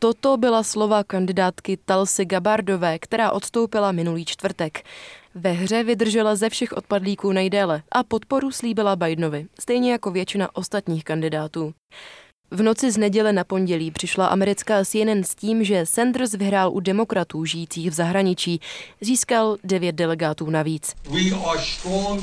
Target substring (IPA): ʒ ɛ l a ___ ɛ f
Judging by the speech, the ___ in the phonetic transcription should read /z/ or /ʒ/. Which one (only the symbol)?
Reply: z